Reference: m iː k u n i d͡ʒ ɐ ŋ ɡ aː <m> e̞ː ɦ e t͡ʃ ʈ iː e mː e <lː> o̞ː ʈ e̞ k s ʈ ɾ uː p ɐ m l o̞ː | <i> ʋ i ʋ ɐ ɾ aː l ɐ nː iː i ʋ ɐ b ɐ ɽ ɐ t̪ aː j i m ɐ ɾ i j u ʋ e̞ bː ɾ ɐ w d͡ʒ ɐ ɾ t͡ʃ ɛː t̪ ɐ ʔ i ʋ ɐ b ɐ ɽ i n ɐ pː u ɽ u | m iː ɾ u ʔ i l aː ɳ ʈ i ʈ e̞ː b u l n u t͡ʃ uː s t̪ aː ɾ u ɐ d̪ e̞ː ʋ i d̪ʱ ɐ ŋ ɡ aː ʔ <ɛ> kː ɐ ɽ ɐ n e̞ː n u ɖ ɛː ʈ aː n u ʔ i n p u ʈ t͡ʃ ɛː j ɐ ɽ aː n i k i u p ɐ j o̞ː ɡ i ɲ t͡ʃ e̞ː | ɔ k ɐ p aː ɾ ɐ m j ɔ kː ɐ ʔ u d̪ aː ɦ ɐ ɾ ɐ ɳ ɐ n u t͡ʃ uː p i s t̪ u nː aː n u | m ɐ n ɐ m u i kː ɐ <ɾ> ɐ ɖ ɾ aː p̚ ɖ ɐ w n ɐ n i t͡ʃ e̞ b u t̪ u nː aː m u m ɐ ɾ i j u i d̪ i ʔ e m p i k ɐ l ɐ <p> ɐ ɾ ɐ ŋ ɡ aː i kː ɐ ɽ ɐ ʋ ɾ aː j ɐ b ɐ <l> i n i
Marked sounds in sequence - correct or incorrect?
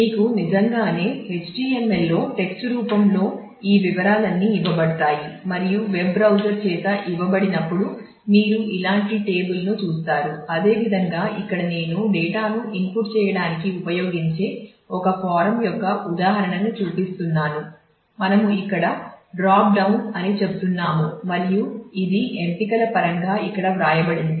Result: incorrect: n, correct, incorrect: iː, incorrect: i, incorrect: ɽ, correct, incorrect: ɽ

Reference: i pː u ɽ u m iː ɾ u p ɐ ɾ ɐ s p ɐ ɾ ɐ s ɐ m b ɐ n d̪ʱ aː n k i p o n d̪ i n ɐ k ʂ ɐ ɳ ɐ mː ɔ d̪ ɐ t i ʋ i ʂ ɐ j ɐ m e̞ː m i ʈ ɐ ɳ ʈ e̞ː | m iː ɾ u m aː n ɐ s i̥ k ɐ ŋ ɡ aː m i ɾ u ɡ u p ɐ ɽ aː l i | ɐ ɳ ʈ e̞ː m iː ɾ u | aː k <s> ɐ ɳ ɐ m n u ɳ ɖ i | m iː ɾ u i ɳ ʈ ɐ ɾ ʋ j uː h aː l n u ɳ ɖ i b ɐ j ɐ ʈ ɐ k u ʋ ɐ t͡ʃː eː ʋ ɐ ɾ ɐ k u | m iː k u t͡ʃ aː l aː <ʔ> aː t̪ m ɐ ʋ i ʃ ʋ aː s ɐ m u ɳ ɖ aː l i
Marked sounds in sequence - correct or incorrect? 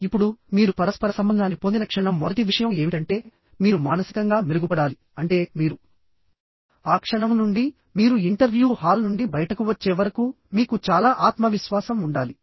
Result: incorrect: ʂ, correct

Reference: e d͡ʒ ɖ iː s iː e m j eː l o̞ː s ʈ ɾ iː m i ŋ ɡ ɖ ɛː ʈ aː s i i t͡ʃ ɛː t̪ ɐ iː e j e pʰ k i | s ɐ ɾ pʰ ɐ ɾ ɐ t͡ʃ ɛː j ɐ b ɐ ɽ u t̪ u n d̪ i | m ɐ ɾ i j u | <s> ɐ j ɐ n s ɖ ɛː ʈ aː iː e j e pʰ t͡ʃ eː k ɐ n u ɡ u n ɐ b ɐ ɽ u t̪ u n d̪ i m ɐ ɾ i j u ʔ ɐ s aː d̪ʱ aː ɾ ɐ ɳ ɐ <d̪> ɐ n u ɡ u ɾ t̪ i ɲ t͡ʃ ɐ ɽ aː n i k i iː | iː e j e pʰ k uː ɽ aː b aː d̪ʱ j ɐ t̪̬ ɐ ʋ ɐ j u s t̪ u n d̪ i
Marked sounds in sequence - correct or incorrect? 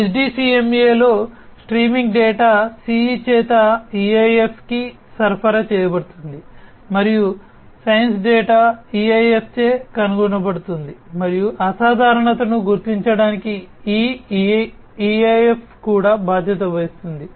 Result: correct, incorrect: t̪

